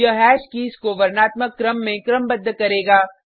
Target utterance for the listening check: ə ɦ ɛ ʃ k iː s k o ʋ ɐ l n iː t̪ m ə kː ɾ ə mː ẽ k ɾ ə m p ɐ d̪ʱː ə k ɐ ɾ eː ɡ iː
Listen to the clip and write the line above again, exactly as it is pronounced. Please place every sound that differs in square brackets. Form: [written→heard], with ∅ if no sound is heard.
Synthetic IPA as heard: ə ɦ [ɛ→ɛː] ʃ k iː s k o ʋ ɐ [l→ɾ] n [iː→aː] t̪ m ə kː ɾ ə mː ẽ k ɾ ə m [p→b] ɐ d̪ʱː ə k ɐ ɾ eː ɡ [iː→aː]